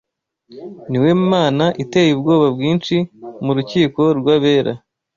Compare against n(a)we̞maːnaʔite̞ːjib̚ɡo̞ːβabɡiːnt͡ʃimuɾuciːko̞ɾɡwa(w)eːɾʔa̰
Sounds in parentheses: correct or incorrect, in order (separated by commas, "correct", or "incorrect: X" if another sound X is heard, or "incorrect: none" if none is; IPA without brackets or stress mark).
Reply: incorrect: i, incorrect: β